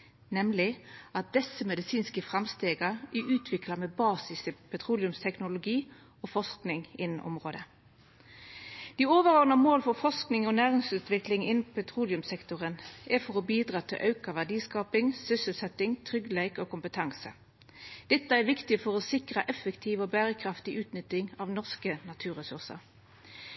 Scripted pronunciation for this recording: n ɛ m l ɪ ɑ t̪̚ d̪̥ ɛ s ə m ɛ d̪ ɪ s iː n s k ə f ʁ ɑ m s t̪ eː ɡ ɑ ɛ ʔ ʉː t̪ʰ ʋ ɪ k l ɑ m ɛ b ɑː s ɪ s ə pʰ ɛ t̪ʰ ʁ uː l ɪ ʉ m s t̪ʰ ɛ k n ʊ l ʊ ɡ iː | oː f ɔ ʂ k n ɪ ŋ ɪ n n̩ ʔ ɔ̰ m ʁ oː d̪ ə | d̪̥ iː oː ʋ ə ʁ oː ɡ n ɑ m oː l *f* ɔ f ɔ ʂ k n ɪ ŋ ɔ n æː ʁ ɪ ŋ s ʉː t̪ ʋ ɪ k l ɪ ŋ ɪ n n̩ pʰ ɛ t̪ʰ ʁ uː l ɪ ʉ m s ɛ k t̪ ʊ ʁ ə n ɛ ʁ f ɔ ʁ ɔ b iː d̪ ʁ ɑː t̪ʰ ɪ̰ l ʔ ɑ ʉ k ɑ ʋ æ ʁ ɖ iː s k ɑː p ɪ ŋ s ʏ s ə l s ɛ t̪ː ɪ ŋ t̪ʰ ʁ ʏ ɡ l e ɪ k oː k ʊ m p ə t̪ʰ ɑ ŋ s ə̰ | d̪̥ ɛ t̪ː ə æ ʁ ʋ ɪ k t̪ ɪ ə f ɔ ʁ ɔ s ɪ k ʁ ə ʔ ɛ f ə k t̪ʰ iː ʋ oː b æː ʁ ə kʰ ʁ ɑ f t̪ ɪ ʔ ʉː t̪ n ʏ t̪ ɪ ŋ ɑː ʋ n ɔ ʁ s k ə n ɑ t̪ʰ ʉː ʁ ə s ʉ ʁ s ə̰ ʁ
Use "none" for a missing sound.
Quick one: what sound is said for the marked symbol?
f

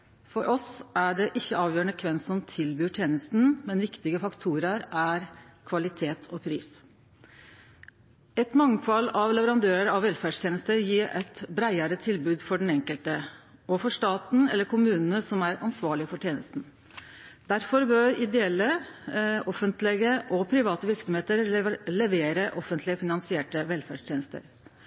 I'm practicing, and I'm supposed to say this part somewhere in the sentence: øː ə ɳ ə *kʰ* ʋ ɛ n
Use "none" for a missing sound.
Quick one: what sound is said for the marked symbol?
kʰ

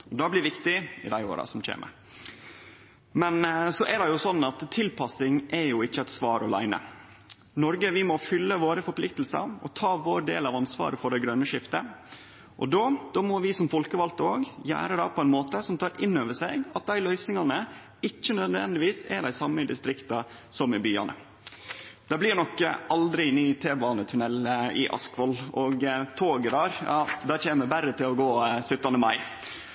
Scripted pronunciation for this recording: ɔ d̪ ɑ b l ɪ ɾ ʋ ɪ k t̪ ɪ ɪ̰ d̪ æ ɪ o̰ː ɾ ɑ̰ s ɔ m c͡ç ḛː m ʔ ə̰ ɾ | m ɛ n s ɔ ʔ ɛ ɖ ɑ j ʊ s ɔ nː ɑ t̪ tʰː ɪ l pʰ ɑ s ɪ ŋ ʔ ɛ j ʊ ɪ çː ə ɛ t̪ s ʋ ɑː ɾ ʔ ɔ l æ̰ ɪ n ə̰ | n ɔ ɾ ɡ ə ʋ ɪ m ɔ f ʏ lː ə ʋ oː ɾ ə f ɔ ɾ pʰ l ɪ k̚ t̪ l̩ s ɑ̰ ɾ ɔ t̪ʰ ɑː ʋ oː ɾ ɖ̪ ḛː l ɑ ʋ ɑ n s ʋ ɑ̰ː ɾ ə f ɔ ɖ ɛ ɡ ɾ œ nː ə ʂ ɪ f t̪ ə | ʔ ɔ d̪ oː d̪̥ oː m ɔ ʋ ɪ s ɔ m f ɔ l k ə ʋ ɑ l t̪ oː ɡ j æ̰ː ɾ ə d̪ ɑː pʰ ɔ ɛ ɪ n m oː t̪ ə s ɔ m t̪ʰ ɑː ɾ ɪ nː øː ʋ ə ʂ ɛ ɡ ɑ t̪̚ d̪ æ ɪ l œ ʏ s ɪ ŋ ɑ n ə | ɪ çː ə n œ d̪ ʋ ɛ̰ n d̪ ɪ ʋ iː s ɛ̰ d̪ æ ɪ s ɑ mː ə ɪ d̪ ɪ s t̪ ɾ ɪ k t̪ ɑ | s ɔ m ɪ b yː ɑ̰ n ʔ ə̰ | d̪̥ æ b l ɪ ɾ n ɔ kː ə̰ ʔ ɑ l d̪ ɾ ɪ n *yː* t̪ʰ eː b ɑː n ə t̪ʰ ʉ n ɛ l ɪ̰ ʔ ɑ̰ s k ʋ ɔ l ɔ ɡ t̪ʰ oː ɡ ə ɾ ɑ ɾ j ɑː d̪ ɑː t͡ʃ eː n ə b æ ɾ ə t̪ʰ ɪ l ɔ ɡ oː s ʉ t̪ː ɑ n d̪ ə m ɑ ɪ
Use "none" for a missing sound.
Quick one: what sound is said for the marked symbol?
yː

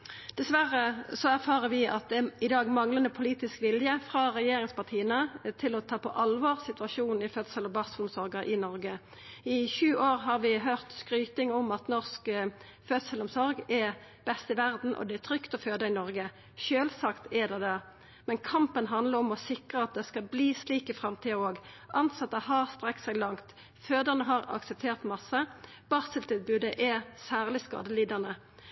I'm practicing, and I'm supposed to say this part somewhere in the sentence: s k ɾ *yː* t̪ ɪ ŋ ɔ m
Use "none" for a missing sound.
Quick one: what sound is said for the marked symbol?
yː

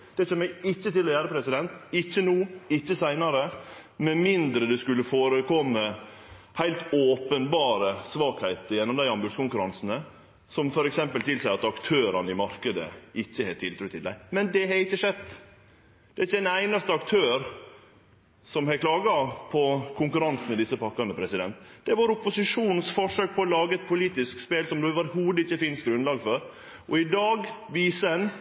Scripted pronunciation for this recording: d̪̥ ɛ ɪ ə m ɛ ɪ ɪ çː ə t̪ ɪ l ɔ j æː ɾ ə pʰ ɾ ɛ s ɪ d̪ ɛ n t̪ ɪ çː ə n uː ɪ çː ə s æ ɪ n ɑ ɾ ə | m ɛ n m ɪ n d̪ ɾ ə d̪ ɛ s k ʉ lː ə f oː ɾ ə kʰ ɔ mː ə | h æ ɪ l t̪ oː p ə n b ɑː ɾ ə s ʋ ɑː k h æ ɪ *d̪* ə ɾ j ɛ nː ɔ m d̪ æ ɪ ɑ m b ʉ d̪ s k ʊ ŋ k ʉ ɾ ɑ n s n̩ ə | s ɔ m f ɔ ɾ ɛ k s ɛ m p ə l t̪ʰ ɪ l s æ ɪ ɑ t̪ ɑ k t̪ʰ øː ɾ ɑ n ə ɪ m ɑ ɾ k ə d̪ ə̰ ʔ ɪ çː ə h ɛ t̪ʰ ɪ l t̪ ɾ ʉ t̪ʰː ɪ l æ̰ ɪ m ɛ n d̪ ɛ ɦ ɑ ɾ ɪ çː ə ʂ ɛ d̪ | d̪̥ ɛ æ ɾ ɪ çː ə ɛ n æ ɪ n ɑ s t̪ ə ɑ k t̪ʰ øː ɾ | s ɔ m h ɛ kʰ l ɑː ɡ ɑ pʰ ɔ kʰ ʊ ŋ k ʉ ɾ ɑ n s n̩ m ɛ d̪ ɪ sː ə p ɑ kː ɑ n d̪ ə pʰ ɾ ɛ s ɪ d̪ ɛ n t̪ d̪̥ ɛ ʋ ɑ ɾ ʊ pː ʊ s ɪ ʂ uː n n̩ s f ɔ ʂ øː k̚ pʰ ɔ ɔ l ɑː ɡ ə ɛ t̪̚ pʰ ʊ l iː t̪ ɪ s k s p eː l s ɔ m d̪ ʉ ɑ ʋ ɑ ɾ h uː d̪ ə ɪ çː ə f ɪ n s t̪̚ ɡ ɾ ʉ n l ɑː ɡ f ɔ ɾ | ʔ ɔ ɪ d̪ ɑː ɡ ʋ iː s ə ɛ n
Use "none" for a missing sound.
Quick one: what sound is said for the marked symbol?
t̪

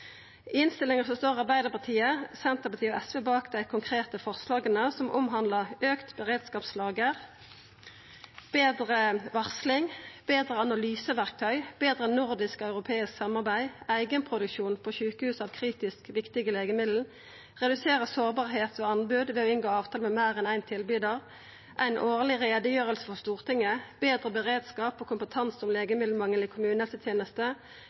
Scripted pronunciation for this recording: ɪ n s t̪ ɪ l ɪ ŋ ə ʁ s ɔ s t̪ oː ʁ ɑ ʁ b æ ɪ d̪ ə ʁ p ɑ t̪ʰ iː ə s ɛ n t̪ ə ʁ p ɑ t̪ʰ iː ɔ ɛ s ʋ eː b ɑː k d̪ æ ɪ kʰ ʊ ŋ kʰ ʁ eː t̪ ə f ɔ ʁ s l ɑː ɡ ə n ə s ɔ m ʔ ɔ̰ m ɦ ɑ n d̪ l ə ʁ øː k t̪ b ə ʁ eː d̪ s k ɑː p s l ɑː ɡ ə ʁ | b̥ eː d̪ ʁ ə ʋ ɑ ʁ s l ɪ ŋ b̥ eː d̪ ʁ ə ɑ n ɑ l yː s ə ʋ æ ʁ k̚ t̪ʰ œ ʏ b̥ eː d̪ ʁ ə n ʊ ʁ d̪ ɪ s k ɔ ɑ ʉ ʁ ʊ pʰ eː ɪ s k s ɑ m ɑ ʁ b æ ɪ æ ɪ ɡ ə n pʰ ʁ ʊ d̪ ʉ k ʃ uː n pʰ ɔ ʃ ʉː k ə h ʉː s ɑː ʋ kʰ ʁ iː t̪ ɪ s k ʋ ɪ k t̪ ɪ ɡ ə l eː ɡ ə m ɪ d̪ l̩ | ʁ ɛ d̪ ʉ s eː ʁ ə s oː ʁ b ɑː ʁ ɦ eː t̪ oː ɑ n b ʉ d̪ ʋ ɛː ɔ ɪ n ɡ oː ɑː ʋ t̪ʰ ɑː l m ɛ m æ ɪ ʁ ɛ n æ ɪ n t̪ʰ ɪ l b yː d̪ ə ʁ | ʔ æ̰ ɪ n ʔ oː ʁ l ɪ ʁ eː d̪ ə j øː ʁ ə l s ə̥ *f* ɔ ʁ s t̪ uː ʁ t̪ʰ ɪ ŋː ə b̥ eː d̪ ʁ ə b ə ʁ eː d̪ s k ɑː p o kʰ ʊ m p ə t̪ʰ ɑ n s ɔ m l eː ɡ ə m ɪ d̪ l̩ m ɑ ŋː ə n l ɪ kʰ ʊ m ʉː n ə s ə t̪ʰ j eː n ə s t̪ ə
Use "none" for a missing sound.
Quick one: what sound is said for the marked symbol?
f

